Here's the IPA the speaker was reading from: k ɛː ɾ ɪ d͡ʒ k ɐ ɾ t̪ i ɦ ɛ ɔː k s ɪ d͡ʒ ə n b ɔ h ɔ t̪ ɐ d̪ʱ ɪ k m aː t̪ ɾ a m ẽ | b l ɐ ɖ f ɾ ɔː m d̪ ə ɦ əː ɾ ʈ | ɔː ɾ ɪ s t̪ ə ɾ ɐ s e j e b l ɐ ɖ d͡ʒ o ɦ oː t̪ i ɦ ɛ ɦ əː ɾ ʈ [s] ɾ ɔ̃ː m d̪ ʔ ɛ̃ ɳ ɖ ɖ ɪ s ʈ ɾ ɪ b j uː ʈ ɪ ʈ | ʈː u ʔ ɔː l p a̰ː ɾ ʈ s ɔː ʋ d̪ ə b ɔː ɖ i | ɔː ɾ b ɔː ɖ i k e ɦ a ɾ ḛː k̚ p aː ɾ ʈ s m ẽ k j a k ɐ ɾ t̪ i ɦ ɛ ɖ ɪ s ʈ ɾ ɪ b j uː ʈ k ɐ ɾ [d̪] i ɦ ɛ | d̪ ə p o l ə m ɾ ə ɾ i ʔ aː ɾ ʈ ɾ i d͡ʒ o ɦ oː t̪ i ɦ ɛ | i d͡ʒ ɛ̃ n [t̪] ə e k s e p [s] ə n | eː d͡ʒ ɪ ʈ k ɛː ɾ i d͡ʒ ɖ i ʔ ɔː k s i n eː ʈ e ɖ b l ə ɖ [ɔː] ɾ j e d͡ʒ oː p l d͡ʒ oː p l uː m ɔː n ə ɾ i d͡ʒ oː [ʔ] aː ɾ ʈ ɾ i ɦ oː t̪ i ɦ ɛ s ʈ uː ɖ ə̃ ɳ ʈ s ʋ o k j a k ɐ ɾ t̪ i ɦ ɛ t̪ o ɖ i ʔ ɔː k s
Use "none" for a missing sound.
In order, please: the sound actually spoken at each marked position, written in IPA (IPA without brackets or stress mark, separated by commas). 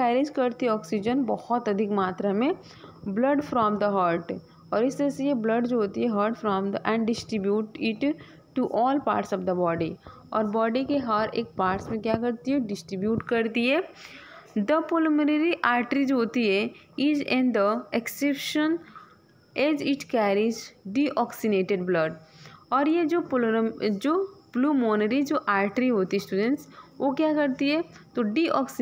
f, t̪, d̪, ʃ, ɔː, ʔ